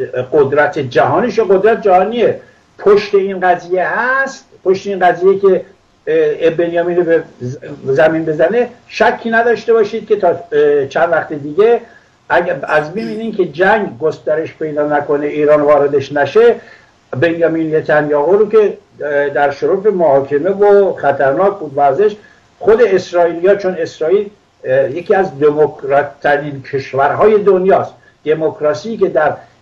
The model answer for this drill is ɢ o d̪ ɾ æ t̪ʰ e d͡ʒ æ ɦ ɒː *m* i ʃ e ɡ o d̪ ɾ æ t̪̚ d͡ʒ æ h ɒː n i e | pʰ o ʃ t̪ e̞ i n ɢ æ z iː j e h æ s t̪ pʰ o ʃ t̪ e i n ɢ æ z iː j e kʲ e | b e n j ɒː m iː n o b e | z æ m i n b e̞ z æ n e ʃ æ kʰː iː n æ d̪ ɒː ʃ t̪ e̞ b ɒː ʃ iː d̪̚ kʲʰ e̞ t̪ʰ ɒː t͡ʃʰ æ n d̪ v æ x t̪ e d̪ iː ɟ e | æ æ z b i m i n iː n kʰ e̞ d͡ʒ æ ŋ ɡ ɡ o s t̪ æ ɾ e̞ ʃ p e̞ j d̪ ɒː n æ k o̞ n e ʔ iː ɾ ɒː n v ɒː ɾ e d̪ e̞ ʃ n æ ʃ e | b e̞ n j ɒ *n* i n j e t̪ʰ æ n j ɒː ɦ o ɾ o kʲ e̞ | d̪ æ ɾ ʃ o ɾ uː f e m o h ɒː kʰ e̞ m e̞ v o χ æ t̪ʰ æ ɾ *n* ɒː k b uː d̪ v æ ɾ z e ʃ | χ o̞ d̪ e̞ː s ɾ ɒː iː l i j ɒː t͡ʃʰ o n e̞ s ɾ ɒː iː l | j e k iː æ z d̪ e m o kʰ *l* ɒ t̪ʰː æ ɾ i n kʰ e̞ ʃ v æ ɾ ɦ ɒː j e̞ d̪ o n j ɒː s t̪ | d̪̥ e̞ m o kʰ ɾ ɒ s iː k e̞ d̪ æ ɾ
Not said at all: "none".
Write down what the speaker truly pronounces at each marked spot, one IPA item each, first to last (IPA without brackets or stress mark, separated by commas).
n, m, n, ɾ